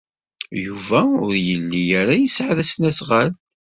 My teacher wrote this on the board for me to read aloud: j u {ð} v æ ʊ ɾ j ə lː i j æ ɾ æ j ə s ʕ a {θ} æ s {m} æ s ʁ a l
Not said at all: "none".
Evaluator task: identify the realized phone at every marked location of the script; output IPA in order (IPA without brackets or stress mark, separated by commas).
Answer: none, ð, n